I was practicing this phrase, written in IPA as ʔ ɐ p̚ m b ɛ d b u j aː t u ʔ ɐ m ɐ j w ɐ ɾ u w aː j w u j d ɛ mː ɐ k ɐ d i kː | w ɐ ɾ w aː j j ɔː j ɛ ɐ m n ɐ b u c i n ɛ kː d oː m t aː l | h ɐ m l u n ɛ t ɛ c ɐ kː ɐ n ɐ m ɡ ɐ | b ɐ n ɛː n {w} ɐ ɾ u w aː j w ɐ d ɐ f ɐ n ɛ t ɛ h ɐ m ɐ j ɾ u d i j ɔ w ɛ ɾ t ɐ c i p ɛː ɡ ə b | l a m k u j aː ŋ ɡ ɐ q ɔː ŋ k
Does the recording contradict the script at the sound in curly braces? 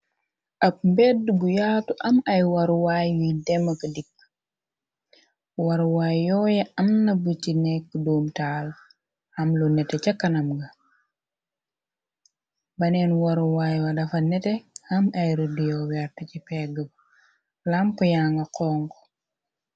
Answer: no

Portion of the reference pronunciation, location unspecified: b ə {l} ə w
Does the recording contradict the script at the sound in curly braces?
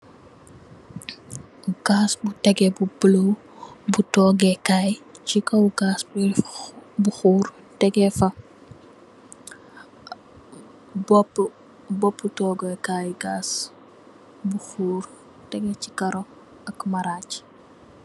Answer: no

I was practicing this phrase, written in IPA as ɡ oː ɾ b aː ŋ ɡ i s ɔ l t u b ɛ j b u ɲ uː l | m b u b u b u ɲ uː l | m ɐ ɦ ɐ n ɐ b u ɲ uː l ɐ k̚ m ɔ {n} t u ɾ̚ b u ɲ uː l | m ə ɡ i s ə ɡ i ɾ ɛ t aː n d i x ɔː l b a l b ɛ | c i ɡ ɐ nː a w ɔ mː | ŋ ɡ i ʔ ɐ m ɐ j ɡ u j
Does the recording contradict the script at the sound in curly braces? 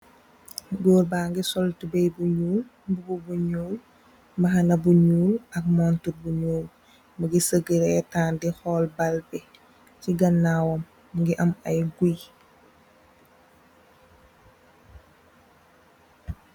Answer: no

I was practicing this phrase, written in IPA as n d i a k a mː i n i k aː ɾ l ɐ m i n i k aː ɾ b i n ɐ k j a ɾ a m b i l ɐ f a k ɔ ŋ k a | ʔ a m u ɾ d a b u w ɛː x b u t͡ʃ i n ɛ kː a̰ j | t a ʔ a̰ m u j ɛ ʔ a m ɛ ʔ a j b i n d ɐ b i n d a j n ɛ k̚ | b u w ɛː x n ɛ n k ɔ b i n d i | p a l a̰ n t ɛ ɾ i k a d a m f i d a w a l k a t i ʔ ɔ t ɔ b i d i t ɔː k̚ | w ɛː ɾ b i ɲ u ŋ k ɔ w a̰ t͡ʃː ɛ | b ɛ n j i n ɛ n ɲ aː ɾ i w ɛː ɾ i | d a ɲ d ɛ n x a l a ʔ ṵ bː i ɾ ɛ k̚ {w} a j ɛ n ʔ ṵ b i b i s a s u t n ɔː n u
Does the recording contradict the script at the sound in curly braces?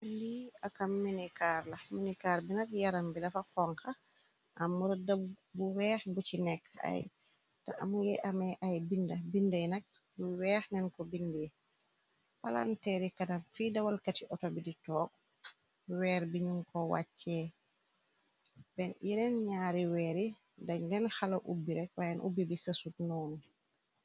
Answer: no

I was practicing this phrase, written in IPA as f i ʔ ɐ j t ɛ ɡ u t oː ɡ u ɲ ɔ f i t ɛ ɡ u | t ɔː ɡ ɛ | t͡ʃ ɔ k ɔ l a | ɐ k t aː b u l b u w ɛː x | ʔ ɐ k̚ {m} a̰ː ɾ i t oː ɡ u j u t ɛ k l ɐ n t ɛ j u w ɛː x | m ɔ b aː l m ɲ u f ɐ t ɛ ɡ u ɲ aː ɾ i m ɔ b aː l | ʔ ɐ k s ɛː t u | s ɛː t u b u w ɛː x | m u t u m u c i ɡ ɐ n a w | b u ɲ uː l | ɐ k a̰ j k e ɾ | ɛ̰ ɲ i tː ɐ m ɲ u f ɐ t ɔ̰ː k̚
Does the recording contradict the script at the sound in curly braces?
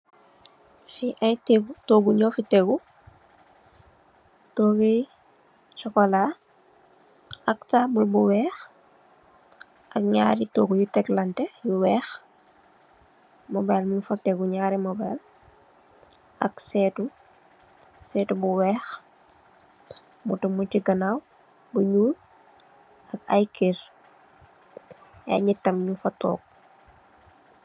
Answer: yes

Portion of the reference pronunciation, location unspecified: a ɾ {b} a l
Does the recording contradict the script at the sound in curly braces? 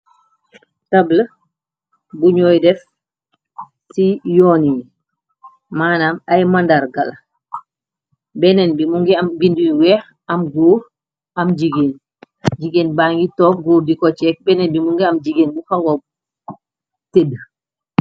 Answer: yes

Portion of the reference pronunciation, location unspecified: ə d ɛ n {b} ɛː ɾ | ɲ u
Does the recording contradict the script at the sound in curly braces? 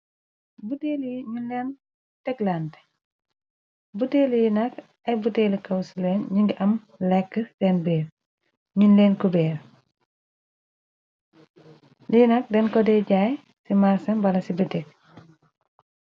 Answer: no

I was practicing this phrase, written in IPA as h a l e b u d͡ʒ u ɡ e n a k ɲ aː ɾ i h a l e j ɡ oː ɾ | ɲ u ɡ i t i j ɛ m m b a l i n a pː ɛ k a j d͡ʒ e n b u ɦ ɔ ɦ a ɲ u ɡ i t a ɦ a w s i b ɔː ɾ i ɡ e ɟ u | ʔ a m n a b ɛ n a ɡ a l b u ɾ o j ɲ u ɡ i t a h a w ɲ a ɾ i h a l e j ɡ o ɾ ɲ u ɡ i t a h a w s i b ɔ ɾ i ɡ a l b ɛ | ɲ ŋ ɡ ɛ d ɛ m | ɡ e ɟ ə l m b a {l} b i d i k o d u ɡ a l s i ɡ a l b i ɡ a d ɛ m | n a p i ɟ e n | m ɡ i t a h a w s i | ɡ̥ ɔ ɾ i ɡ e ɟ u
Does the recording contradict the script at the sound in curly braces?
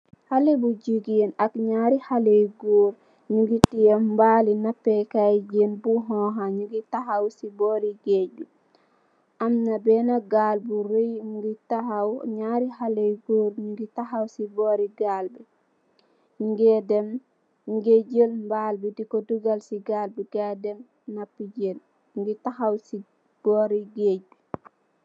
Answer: no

